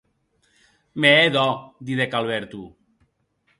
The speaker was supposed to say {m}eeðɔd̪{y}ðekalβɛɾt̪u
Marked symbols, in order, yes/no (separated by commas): yes, no